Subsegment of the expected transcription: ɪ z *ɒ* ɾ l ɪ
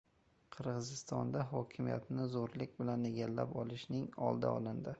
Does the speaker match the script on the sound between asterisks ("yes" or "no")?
no